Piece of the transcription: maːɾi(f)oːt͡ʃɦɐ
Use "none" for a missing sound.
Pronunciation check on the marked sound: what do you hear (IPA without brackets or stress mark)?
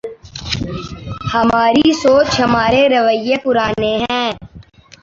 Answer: s